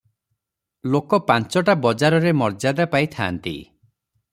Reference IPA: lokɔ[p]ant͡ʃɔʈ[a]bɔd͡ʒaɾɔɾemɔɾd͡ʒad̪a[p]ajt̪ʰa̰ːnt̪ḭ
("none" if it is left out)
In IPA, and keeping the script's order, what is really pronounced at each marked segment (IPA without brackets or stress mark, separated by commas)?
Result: p, a, p